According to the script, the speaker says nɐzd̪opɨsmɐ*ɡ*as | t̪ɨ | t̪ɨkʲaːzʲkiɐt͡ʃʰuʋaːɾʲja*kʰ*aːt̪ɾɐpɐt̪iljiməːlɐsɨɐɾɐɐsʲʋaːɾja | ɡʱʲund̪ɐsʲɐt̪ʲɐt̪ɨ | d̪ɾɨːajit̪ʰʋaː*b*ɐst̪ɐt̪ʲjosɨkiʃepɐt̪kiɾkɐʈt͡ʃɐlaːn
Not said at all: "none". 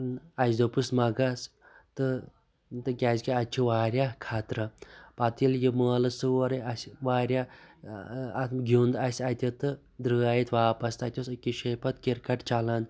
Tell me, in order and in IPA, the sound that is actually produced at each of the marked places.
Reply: ɡ, kʰ, p

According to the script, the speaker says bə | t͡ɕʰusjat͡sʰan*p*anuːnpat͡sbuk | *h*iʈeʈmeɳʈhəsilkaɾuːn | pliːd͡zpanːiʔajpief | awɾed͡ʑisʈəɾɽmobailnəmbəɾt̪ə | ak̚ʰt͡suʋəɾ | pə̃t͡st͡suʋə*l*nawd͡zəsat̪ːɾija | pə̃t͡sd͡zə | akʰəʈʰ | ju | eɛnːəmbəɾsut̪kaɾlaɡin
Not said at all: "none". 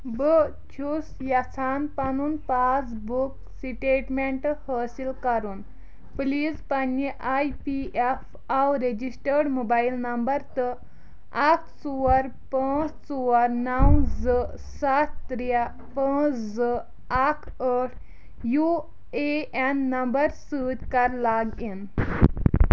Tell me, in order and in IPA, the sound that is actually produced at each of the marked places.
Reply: p, s, ɾ

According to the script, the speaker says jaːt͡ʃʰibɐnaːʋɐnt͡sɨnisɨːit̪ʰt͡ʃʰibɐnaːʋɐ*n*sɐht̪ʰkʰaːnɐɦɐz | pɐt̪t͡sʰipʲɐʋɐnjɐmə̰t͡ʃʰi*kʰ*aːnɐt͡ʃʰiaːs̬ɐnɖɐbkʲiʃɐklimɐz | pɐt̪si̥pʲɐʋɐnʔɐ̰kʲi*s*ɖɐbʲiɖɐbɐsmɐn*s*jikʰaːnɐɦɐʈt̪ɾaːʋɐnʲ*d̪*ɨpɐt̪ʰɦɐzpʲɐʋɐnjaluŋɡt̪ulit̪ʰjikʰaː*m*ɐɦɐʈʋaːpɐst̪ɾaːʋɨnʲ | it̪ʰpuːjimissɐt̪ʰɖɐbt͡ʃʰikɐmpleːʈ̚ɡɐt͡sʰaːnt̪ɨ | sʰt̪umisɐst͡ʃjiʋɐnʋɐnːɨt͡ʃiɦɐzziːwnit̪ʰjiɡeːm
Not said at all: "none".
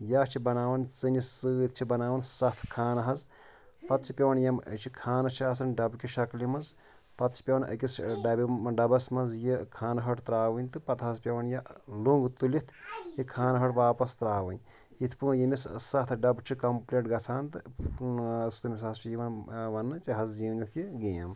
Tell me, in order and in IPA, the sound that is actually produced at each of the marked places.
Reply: n, kʰ, s, z, t̪, n

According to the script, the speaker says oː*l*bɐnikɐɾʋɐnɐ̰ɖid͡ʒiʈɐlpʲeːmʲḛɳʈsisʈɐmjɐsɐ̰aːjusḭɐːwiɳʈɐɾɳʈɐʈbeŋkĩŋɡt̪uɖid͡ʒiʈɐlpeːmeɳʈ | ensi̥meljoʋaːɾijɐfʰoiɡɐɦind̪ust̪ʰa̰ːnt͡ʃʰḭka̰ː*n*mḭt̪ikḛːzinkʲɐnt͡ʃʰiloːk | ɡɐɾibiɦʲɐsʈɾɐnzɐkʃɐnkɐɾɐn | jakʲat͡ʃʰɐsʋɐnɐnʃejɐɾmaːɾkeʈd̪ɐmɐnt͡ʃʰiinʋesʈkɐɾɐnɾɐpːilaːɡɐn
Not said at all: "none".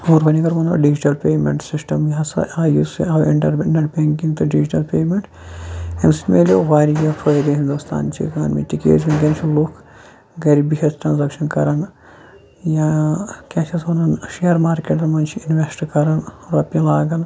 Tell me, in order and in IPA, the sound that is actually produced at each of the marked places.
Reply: ɾ, n

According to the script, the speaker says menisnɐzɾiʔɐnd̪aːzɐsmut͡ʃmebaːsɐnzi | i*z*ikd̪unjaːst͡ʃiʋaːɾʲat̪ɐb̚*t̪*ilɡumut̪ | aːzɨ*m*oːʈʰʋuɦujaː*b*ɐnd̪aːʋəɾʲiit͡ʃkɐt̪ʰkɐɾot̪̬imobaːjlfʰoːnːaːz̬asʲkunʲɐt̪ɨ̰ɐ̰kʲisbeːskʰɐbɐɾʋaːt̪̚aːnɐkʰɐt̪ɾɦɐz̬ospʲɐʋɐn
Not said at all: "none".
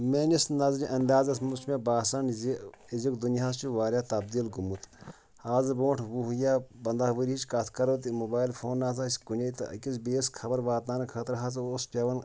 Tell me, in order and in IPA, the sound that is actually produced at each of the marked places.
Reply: z, d̪, b, b

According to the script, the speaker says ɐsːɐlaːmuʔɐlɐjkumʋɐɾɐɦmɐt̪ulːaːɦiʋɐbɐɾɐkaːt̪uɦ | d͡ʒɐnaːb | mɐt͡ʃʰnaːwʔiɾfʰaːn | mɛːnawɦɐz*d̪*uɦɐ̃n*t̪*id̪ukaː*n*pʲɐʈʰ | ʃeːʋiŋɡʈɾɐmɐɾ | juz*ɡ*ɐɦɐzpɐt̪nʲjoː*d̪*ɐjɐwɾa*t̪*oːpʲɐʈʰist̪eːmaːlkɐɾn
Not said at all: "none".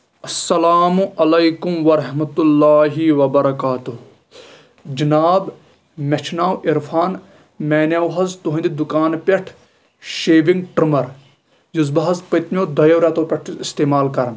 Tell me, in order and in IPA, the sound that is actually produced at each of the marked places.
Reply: t̪, d̪, n, b, d̪, t̪

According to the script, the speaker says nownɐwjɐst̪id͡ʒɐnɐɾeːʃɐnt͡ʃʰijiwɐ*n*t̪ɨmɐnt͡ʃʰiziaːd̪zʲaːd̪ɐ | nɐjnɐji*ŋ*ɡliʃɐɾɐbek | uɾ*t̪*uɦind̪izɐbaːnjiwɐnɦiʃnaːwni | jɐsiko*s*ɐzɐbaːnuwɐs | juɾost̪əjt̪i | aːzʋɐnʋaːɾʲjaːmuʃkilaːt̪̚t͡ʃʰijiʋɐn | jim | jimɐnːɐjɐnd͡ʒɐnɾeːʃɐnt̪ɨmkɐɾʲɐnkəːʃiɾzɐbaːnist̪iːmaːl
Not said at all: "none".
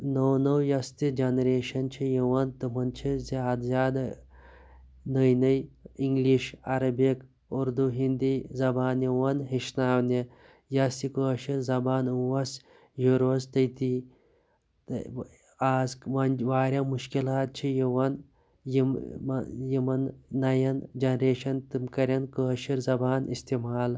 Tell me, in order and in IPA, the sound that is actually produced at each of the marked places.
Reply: n, ŋ, d̪, ʃ

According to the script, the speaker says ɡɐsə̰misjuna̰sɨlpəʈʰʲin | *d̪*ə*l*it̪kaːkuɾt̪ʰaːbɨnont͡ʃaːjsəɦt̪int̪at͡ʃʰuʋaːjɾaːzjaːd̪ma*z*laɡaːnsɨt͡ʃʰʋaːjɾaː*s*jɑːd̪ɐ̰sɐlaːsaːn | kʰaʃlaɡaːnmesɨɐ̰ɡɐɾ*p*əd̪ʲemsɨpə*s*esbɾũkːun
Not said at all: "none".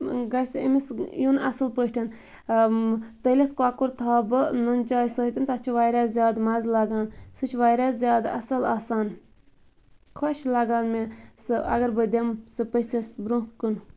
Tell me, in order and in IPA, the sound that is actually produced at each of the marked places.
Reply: t̪, l, z, z, b, s

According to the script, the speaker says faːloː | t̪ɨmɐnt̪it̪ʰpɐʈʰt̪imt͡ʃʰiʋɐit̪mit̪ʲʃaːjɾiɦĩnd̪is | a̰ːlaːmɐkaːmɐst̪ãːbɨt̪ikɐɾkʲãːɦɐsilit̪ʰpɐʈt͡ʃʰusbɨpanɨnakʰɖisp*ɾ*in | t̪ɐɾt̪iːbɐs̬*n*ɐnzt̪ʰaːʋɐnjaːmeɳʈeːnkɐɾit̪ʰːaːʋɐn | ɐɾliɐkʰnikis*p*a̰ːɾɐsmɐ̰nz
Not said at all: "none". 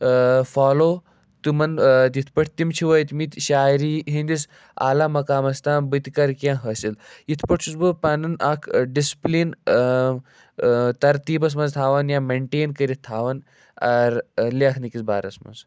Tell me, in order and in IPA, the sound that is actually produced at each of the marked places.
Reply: l, m, b

